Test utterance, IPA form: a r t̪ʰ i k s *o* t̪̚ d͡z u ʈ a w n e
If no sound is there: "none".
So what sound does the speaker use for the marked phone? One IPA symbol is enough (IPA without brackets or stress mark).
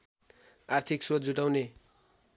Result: o